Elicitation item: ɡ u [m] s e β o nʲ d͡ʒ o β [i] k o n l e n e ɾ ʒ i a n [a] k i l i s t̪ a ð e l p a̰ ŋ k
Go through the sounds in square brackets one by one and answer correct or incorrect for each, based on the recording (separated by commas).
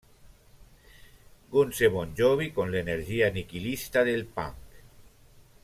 incorrect, correct, incorrect